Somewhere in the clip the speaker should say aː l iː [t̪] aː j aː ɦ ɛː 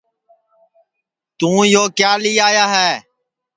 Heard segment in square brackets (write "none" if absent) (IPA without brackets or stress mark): none